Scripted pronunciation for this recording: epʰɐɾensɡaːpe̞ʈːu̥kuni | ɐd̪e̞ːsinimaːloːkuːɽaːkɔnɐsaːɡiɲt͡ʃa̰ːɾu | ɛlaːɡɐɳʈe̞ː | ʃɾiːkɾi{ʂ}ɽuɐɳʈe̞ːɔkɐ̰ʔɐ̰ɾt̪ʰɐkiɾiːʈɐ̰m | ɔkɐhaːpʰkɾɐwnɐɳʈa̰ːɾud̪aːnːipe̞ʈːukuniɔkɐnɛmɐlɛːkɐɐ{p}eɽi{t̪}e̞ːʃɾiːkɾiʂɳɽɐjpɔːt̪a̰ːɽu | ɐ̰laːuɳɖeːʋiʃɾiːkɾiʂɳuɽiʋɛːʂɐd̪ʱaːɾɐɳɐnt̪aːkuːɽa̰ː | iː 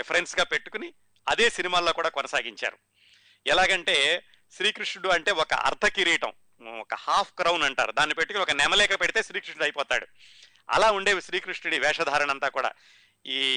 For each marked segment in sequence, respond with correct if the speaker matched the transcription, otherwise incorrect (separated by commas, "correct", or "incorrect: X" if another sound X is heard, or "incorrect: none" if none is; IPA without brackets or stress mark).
correct, correct, correct